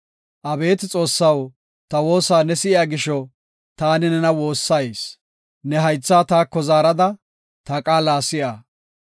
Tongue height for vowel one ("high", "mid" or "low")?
low